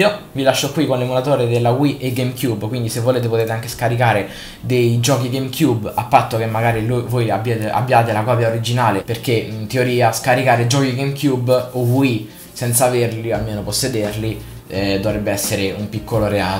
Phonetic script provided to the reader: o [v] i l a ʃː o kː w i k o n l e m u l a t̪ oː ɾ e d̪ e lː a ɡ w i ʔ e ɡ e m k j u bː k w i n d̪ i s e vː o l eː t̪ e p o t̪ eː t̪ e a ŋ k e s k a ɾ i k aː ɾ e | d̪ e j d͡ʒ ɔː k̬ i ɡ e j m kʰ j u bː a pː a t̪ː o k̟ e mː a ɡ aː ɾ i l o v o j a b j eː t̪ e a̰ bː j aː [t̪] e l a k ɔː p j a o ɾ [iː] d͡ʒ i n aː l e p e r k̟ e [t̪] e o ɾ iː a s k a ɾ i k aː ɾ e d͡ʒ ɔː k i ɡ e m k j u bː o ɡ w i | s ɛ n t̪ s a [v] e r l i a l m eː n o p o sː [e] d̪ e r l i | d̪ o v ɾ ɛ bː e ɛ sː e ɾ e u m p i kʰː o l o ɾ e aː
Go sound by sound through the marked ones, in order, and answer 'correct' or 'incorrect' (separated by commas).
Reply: correct, correct, incorrect, correct, correct, correct